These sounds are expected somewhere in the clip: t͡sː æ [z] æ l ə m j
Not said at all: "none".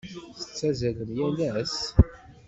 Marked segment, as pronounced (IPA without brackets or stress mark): z